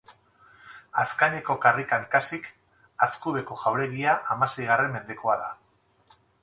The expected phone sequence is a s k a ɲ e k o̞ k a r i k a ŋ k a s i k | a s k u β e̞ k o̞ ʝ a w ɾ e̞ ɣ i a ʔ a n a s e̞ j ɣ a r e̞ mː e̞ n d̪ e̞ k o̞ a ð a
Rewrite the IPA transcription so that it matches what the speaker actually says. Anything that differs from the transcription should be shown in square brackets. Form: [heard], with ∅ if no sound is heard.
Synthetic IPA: a s k a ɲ e k o̞ k a r i k a ŋ k a s i k | a s k u β e̞ k o̞ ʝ a w ɾ e̞ ɣ i a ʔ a [m] a s e̞ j ɣ a r e̞ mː e̞ n d̪ e̞ k o̞ a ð a